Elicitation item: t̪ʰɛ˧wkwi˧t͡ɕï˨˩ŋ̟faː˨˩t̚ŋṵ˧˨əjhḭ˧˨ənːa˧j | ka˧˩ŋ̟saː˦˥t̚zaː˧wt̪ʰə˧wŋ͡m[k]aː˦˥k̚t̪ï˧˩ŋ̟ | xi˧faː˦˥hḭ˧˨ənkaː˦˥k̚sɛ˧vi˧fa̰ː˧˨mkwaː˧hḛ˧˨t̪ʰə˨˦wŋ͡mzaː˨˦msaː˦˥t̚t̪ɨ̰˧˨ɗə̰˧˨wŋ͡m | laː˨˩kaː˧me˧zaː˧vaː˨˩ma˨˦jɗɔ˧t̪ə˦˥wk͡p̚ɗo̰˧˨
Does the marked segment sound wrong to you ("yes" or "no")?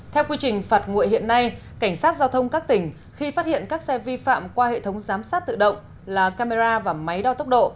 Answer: no